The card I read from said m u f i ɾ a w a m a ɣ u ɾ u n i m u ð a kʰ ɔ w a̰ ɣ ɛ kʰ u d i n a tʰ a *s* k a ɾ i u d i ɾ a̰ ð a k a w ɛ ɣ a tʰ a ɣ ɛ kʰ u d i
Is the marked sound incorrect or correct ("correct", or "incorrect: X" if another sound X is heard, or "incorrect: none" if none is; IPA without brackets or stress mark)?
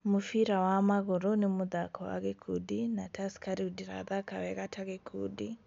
correct